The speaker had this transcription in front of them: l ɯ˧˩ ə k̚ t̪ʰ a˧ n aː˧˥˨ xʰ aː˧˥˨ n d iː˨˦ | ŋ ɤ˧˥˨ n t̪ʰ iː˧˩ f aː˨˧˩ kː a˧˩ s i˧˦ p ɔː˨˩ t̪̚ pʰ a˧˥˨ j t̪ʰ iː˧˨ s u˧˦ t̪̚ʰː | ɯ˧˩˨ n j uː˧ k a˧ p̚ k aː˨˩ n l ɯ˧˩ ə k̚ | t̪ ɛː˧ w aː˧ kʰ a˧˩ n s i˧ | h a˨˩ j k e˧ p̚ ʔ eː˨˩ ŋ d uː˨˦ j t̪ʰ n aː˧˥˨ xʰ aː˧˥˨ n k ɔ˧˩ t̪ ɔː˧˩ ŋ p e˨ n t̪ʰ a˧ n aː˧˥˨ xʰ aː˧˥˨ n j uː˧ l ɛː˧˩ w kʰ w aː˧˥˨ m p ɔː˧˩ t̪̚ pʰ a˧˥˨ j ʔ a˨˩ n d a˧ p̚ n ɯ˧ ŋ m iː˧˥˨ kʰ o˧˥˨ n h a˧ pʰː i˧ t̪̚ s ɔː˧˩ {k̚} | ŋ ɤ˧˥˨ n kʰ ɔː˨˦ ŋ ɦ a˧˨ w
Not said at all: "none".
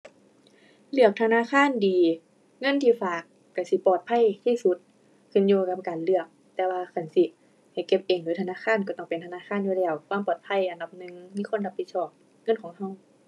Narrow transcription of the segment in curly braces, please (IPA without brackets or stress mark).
p̚